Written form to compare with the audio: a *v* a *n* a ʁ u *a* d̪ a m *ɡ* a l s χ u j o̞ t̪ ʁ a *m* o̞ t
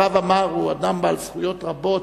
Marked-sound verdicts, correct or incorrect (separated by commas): correct, incorrect, correct, incorrect, incorrect